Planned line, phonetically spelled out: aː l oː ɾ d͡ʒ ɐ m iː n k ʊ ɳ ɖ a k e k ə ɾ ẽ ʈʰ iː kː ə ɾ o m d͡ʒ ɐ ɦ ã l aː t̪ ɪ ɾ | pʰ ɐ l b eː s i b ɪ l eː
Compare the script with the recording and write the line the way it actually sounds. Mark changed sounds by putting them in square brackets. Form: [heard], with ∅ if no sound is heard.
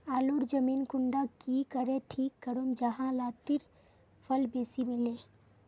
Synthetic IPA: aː l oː ɾ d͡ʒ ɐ m iː n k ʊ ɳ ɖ a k [i] k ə ɾ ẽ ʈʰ iː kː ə ɾ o m d͡ʒ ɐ ɦ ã l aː t̪ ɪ ɾ | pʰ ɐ l b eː s i [m] ɪ l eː